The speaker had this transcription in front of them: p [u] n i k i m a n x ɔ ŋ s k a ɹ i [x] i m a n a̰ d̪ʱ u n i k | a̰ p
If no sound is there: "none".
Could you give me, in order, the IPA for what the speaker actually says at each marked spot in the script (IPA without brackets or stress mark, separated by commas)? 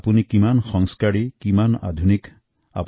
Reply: u, k